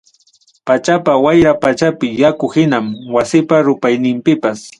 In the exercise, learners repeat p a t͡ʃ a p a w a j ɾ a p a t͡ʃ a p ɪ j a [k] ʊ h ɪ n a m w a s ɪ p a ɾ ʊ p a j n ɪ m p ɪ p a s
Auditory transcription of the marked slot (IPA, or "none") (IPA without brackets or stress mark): k